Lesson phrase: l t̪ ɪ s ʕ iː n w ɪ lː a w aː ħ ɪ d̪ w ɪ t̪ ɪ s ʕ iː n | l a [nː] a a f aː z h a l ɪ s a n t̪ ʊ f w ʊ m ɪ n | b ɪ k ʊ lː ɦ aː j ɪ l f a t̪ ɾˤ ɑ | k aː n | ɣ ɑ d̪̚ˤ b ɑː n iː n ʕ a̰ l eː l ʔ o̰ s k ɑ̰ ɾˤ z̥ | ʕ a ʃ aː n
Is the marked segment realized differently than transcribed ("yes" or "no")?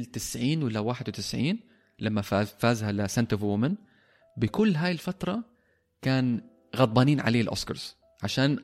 yes